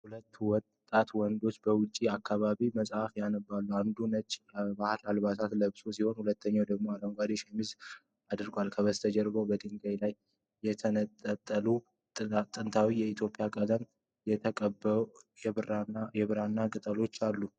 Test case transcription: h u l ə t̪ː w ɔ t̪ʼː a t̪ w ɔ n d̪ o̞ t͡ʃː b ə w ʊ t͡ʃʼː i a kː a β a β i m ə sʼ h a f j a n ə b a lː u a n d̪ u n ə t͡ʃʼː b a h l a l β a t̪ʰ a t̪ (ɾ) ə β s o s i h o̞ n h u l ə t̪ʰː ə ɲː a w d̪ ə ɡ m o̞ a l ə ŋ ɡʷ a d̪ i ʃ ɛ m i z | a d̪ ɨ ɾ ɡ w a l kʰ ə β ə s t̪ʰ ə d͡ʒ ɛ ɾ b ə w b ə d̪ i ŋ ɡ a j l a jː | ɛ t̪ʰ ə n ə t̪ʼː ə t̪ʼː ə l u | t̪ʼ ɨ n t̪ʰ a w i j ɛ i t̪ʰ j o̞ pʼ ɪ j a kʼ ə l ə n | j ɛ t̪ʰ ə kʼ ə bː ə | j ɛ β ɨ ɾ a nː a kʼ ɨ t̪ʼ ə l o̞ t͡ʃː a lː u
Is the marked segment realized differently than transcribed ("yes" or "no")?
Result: yes